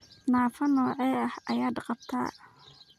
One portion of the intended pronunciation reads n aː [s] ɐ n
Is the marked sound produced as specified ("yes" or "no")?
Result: no